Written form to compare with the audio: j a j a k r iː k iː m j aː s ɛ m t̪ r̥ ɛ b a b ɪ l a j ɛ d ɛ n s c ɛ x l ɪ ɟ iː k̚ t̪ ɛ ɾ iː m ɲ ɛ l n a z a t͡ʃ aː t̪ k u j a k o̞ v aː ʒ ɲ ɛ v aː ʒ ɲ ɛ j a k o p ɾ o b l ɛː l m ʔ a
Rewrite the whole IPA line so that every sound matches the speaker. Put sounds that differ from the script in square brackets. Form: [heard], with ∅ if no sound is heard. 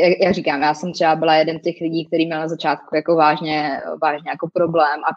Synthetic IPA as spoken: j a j a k r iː k [aː] m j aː s ɛ m t̪ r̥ ɛ b a b ɪ l a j ɛ d ɛ n s c ɛ x l ɪ ɟ iː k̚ t̪ ɛ ɾ iː m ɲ ɛ l n a z a t͡ʃ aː t̪ k u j a k o̞ v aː ʒ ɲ ɛ v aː ʒ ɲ ɛ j a k o p ɾ o b l ɛː [∅] m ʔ a